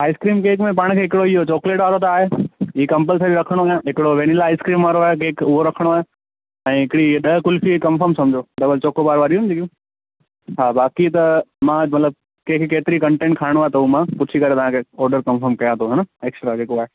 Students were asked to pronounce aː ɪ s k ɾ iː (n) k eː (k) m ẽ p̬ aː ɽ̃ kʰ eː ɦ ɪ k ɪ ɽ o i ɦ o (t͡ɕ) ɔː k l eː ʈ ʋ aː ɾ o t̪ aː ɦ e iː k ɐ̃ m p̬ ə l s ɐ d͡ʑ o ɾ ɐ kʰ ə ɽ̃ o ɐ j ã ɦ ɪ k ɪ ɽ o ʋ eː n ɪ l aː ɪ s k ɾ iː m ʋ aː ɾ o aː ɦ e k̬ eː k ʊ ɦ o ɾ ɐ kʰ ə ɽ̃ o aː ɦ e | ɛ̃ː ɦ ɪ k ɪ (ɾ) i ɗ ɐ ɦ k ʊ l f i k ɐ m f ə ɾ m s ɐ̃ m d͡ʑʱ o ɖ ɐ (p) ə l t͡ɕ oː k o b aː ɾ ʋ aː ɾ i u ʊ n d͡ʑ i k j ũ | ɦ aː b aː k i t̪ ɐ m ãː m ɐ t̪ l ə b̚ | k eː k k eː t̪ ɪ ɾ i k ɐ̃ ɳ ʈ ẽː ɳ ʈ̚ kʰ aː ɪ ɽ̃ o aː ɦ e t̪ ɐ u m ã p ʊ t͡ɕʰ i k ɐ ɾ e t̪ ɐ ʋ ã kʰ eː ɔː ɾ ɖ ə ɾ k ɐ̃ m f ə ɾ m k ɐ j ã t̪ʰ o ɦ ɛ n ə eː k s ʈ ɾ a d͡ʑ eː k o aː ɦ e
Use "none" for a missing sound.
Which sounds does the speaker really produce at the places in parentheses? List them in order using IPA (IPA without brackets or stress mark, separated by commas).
m, k, t͡ɕ, ɽ, b